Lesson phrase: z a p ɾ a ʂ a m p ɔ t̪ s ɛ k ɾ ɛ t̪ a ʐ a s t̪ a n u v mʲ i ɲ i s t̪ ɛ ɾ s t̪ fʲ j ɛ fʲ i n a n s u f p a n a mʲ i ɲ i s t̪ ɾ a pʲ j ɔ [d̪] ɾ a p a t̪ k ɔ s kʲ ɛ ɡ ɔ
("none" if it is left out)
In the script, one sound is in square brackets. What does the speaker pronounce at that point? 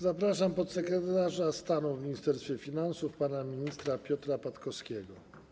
t̪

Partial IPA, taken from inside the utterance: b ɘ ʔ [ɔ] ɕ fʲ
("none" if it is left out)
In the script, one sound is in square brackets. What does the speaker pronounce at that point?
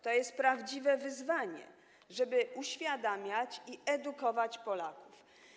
u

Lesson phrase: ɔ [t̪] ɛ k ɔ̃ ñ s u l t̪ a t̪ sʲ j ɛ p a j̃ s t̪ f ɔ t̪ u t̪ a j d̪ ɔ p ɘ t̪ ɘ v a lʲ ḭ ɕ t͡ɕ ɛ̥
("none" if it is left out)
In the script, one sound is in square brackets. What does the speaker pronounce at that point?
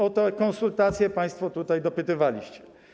t̪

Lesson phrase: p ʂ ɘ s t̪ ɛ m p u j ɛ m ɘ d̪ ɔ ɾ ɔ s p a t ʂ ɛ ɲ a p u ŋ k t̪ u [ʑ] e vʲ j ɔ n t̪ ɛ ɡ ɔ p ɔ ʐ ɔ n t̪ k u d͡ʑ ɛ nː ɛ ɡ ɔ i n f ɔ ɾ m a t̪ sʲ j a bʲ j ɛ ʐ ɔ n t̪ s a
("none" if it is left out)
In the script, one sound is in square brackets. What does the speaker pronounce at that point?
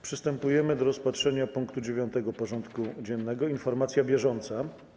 d͡ʑ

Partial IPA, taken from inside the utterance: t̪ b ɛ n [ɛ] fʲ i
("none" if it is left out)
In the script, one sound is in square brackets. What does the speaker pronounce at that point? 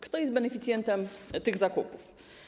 ɛ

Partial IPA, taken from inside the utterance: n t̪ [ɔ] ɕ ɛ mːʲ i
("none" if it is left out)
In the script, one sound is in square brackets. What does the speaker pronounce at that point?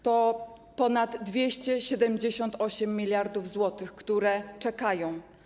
ɔ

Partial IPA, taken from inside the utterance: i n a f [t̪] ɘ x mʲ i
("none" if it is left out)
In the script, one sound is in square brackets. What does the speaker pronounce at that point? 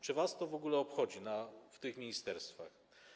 t̪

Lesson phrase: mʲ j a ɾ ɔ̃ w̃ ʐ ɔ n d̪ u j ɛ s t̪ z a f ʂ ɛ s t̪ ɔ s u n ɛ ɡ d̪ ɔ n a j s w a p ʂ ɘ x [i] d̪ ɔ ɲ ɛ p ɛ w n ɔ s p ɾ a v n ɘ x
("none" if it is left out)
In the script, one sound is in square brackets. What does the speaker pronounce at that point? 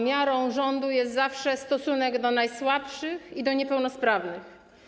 i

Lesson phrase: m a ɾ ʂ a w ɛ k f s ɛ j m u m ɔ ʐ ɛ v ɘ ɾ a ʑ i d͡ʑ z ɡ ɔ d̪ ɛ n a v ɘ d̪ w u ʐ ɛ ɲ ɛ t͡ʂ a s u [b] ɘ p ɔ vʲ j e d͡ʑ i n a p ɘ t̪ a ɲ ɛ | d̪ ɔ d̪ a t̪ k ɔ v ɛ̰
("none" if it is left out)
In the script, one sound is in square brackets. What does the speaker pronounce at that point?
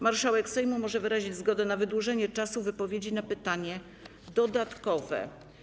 v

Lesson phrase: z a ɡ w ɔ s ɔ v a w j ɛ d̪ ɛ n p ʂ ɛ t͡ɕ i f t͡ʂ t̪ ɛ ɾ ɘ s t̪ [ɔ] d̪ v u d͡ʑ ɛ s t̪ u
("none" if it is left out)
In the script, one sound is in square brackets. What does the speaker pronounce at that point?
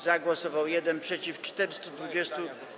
u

